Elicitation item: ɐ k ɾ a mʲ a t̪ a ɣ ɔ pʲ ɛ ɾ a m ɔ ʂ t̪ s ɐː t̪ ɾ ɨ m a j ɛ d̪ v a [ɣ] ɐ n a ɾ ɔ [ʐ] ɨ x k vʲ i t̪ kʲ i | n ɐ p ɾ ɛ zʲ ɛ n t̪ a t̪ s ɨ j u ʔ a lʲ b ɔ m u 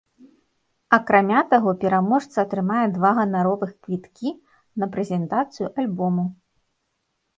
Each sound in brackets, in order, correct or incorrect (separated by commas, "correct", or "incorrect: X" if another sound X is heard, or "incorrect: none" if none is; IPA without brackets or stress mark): correct, incorrect: v